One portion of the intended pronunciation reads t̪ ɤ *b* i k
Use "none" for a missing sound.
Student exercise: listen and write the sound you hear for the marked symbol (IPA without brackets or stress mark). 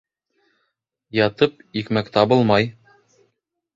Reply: p